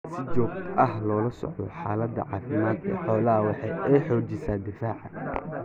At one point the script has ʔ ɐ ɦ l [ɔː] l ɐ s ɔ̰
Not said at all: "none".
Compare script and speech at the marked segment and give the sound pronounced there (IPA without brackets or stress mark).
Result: ɔː